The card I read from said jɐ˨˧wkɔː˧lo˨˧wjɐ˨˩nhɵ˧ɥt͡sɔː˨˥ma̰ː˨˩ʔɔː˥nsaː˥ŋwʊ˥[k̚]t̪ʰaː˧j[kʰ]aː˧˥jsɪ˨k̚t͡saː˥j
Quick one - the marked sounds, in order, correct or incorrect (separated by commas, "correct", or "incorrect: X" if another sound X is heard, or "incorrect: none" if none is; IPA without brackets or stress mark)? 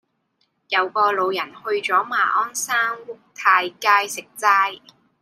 correct, incorrect: k